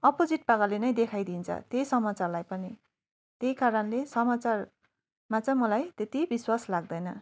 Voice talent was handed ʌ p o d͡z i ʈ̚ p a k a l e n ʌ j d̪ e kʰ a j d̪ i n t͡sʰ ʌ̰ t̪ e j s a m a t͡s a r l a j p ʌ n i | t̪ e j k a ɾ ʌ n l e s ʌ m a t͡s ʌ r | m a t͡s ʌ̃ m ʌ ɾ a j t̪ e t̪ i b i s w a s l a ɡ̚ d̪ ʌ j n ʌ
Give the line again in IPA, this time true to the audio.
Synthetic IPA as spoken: ʌ p o d͡z i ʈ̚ p a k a l e n ʌ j d̪ e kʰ a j d̪ i n t͡sʰ ʌ̰ t̪ e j s ʌ m a t͡s a r l a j p ʌ n i | t̪ e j k a ɾ ʌ n l e s ʌ m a t͡s a r | m a t͡s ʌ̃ m ʌ l a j t̪ e t̪ i b i s w a s l a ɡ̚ d̪ ʌ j n ʌ